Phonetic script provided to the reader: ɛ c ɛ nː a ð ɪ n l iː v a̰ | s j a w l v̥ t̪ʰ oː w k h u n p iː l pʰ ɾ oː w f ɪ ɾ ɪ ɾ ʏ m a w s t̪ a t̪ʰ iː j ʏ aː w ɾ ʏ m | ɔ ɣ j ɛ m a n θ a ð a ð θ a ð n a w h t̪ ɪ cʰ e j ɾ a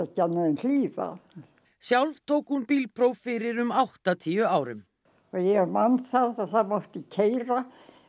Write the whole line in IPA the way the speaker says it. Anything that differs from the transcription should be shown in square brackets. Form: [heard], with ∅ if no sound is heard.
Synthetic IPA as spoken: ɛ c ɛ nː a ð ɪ n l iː v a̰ | s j a w l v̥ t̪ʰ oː w k h u n p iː l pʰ ɾ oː w f ɪ ɾ ɪ ɾ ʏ m a w [h] t̪ a t̪ʰ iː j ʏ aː w ɾ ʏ m | ɔ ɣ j ɛ m a n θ a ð a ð θ a ð [m] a w h t̪ ɪ cʰ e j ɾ a